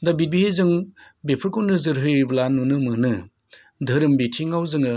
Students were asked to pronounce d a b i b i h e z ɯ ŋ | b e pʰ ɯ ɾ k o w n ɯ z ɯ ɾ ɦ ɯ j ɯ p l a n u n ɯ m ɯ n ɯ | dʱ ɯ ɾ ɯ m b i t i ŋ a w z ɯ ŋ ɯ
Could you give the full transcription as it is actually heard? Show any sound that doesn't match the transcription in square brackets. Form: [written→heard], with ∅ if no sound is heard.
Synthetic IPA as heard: d a b i b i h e z ɯ ŋ | b e pʰ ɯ ɾ k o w n ɯ z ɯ ɾ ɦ ɯ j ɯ [p→b] l a n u n ɯ m ɯ n ɯ | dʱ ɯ ɾ ɯ m b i [t→tʰ] i ŋ a w z ɯ ŋ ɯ